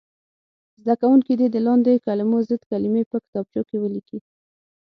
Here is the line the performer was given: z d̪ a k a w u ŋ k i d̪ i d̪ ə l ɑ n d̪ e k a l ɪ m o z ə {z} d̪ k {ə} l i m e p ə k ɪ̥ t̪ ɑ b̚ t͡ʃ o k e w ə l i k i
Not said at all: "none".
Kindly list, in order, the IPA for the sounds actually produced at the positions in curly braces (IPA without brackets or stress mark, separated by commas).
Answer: none, a